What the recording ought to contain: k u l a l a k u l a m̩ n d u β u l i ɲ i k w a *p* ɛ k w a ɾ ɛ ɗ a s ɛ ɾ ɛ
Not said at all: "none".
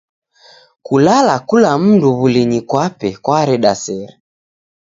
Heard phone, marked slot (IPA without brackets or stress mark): p